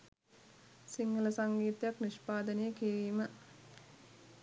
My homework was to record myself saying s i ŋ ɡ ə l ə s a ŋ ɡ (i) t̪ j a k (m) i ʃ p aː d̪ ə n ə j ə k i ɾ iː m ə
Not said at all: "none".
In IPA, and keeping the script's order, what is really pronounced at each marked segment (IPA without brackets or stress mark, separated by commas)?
iː, n